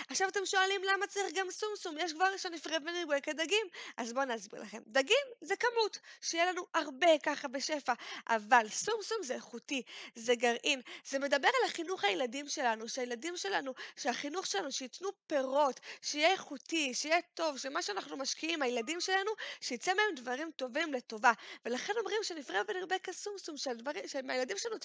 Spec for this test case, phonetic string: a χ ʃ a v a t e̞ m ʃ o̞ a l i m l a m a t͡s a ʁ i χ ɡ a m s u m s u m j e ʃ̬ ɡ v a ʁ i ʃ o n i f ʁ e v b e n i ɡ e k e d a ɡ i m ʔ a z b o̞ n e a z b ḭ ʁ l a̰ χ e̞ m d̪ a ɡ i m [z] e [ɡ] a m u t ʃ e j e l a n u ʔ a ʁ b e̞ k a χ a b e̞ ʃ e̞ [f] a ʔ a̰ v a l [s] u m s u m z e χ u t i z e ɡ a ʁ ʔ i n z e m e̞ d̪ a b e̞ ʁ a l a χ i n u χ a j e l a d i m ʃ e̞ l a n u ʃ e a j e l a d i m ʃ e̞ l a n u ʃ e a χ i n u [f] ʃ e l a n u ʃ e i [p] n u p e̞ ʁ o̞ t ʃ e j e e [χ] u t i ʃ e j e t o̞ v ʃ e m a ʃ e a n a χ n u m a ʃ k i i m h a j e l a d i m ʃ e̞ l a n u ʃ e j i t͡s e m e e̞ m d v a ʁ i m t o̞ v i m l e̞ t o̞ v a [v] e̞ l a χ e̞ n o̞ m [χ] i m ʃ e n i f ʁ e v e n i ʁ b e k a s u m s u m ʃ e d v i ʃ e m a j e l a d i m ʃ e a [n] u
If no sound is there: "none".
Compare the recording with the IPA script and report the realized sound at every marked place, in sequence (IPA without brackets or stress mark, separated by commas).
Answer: z, k, f, s, χ, t, χ, v, ʁ, n